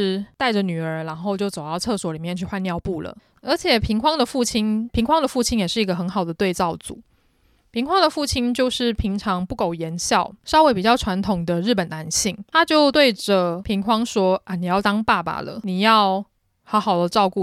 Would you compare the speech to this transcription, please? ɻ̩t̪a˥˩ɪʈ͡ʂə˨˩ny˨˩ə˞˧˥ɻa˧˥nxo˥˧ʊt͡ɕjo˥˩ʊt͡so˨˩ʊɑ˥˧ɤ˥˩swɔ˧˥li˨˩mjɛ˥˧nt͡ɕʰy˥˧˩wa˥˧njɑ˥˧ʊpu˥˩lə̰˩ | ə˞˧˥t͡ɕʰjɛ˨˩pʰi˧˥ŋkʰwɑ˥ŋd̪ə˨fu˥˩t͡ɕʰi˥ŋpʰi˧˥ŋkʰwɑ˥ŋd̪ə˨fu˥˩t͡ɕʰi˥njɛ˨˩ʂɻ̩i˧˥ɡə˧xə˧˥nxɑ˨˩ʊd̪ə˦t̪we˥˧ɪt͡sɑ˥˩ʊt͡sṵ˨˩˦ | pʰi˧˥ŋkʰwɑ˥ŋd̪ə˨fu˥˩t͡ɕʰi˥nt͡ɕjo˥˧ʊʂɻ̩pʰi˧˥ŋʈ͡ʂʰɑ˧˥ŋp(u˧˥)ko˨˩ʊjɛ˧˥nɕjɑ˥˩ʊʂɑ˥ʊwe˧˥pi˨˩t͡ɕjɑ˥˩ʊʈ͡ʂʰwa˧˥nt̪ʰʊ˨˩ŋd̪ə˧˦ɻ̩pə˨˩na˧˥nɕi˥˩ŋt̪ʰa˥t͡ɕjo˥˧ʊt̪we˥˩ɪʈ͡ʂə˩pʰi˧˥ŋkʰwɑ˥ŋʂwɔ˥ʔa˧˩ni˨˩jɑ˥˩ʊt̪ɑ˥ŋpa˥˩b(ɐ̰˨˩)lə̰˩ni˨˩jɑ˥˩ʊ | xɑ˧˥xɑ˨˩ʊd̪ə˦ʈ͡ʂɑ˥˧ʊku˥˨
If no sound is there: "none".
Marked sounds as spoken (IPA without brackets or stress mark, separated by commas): u˥˩, a̰˨˩